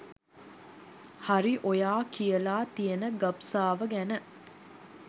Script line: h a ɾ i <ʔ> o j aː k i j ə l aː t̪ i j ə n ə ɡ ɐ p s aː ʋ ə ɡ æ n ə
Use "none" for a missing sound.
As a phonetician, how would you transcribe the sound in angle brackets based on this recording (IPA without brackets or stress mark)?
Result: ʔ